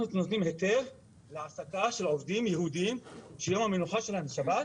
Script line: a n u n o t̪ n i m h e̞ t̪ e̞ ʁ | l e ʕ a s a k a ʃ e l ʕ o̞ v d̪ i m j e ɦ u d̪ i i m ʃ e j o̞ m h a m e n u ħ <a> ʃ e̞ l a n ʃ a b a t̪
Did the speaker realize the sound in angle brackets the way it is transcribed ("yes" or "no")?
yes